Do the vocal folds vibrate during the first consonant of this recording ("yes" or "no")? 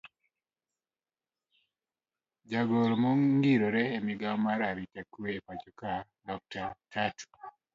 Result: yes